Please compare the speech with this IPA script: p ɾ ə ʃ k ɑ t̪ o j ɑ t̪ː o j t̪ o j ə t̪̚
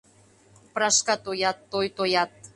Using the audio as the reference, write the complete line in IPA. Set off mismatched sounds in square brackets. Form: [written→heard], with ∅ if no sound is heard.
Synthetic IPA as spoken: p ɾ [ə→ɑ] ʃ k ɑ t̪ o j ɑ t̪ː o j t̪ o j [ə→ɑ] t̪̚